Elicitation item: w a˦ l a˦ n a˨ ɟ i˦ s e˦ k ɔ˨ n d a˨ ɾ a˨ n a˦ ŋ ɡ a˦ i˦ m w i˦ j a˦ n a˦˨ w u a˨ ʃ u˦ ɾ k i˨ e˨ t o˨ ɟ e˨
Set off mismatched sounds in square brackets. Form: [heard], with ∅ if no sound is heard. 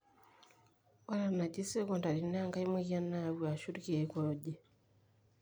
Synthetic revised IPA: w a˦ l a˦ n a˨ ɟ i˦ s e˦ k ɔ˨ n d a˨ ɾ [i˨] n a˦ ŋ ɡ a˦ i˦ m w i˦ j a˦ n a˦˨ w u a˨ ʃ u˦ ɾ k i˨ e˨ [k] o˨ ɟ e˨

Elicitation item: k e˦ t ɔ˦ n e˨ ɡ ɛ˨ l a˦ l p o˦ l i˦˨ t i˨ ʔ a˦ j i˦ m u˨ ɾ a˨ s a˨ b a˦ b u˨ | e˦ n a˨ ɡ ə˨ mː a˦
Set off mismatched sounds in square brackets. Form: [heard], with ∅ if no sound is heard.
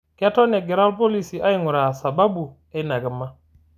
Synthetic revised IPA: k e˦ t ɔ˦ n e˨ ɡ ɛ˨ [ɾ] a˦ l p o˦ l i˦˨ [s] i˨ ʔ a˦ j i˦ [ŋ] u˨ ɾ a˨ s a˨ b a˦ b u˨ | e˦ n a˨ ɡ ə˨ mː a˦

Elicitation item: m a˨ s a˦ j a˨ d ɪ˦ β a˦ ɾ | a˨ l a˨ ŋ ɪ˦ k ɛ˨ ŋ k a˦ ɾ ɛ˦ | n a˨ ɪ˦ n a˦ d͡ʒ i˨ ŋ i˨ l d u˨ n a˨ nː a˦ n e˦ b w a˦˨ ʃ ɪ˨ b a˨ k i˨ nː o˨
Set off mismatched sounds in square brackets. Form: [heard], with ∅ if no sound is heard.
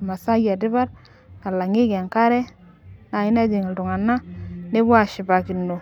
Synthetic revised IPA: m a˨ s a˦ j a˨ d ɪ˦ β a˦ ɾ | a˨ l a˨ ŋ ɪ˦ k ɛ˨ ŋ k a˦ ɾ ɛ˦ | n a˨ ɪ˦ n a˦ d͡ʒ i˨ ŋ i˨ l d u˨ [ŋ] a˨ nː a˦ n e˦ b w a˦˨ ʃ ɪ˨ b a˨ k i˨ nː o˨

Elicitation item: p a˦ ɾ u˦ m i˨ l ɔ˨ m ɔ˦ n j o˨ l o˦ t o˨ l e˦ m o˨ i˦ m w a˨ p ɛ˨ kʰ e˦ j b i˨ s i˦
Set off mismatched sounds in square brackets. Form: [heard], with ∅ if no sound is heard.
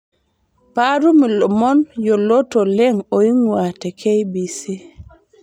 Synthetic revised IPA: p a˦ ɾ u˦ m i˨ l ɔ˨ m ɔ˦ n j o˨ l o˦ t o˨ l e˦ [ŋ] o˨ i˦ [ŋ] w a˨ [t] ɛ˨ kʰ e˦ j b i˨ s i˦

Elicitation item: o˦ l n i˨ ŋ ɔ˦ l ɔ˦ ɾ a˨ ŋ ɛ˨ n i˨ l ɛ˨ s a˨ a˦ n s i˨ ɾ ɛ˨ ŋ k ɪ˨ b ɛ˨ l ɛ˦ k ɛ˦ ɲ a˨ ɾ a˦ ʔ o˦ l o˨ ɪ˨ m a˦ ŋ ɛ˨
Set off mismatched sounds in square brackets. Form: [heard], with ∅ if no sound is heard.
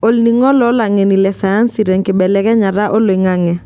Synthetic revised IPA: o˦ l n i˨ ŋ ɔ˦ l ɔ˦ [l] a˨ ŋ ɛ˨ n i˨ l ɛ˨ s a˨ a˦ n s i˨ ɾ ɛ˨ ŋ k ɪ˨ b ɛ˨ l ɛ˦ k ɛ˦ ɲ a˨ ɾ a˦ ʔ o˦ l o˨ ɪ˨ [ŋ] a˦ ŋ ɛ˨

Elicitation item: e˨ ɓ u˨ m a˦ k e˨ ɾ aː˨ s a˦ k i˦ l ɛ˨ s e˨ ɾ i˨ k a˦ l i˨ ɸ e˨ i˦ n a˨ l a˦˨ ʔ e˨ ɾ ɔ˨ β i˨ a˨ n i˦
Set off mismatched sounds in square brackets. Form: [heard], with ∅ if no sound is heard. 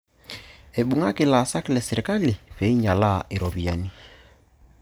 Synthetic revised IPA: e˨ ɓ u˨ [ŋ] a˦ k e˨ [l] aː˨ s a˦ k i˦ l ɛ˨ s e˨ ɾ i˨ k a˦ l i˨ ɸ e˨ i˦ [ɲ] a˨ l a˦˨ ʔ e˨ ɾ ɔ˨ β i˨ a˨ n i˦

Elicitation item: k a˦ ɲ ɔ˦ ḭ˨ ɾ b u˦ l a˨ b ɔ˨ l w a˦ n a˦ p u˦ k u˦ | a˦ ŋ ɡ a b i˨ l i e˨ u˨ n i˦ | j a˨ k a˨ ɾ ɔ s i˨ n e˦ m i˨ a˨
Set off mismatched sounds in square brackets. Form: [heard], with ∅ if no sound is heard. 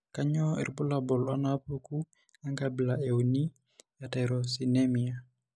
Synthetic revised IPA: k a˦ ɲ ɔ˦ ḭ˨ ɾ b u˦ l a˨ b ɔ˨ l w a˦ n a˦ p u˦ k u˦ | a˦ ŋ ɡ a b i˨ l [a] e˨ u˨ n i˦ | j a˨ [t] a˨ ɾ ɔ s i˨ n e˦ m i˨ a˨

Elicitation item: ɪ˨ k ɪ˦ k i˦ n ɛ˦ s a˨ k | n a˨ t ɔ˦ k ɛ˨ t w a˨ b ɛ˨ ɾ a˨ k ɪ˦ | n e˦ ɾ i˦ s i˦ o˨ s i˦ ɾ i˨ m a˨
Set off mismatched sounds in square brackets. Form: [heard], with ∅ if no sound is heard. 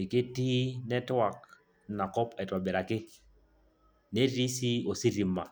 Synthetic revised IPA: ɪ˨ k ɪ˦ [t] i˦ n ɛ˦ [t] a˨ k | n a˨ [k] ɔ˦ [p] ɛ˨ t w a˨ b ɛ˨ ɾ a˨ k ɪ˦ | n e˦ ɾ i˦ s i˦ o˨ s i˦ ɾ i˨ m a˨

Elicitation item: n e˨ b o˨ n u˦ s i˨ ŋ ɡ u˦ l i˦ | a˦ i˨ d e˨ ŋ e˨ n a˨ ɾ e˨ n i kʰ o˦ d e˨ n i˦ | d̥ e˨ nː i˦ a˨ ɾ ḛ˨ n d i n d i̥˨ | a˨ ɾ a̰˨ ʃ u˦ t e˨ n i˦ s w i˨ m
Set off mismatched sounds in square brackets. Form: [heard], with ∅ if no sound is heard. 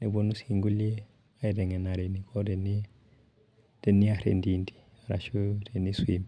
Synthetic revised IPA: n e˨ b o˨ n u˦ s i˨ ŋ ɡ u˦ l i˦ | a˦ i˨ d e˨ ŋ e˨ n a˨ ɾ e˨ n i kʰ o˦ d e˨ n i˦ | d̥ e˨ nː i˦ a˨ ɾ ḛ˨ n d i n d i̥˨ | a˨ ɾ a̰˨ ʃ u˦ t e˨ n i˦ s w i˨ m

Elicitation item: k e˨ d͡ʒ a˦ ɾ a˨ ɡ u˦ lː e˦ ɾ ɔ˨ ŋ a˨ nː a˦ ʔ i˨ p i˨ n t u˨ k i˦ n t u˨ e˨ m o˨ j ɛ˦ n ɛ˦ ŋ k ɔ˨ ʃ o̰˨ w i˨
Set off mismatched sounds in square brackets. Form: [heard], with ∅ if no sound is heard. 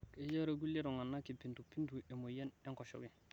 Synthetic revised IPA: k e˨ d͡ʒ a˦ ɾ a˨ ɡ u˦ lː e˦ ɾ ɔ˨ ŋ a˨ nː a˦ [k] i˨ p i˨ n t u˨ [p] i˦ n t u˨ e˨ m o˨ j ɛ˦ n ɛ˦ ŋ k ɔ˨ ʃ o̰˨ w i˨

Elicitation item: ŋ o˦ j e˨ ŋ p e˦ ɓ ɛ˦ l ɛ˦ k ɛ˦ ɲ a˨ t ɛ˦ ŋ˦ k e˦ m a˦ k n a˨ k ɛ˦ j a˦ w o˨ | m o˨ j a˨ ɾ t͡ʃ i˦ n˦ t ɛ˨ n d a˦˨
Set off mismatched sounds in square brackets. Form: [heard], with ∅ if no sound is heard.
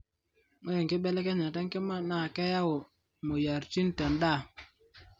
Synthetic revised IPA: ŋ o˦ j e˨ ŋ [k] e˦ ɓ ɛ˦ l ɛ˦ k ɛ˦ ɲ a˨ t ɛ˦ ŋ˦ k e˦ m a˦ [∅] n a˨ k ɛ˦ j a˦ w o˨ | m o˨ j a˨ ɾ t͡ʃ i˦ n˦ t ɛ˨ n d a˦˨

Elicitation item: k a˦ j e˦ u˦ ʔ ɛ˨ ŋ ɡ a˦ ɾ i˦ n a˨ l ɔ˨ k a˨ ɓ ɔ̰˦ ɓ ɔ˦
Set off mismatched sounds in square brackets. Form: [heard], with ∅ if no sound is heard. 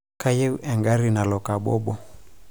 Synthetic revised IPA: k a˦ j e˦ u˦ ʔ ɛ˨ ŋ ɡ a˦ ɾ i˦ n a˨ l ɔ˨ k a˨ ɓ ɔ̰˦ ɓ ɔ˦

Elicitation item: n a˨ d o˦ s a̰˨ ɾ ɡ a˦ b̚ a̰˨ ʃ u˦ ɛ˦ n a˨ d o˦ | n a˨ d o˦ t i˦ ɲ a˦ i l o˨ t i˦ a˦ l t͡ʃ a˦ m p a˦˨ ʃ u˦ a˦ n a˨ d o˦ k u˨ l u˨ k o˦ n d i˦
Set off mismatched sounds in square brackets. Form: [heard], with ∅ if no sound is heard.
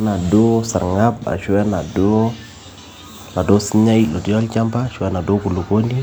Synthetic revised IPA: n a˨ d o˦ s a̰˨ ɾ [ŋ] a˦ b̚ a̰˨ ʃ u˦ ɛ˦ n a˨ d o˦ | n a˨ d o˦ [s] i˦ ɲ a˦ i l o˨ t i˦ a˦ l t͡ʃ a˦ m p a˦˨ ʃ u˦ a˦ n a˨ d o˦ k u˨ l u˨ k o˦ n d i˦

